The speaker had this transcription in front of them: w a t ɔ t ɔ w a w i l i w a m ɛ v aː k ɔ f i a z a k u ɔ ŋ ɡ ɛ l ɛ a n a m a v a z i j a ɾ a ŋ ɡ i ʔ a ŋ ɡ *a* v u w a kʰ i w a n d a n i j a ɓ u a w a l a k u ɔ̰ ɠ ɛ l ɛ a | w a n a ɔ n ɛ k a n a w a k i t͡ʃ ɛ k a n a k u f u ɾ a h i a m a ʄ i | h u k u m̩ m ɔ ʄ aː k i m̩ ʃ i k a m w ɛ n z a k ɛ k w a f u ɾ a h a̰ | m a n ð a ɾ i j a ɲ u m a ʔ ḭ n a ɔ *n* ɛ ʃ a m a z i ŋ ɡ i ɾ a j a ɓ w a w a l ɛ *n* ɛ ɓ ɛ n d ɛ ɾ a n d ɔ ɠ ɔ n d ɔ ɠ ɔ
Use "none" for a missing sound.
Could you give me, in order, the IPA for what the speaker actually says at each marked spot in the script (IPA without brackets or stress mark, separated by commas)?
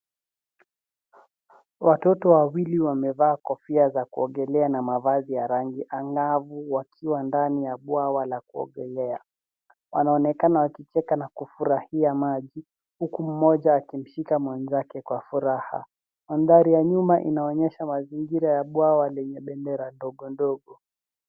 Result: a, ɲ, ɲ